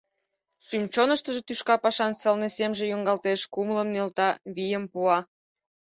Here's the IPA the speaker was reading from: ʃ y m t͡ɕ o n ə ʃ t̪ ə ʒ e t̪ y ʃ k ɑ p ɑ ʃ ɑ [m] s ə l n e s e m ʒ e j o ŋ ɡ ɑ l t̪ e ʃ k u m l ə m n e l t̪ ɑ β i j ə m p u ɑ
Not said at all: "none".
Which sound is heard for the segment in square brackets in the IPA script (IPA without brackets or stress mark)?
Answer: n